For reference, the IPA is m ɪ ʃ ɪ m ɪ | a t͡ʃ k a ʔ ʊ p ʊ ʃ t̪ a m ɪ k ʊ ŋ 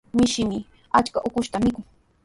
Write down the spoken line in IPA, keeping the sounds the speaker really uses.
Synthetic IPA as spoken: m ɪ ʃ ɪ m ɪ | a t͡ʃ k a ʔ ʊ k ʊ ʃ t̪ a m ɪ k ʊ ŋ